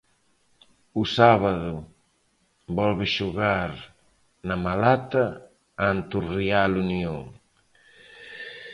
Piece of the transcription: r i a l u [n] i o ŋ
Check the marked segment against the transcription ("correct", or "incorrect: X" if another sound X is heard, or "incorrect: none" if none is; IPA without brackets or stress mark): correct